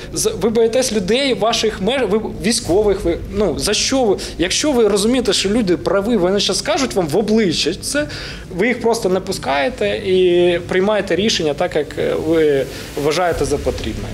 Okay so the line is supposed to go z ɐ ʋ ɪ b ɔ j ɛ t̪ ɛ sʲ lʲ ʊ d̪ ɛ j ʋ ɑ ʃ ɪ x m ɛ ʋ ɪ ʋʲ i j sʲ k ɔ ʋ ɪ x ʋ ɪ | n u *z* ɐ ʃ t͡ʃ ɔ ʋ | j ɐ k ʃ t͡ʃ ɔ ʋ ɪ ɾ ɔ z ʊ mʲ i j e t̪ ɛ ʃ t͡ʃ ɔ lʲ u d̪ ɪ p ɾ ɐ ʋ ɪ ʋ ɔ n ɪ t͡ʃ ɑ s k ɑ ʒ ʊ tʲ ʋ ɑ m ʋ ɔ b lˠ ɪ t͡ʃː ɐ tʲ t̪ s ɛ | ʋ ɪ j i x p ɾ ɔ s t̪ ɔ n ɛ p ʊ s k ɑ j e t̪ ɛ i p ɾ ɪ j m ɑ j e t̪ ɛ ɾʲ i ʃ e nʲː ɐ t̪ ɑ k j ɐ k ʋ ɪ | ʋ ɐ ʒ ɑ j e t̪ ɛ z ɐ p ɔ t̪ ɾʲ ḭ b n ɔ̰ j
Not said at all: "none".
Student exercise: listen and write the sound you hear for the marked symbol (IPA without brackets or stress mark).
z